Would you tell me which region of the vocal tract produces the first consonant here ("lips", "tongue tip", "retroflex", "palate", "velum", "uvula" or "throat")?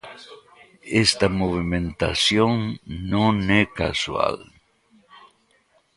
tongue tip